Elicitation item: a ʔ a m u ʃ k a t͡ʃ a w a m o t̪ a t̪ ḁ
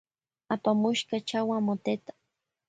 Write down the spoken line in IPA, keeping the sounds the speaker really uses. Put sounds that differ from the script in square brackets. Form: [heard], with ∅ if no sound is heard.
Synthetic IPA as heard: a [p] a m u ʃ k a t͡ʃ a w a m o t̪ [e] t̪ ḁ